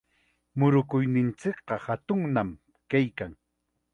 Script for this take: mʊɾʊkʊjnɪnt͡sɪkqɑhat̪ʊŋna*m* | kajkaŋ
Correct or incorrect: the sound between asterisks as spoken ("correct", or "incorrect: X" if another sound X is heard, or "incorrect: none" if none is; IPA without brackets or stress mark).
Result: correct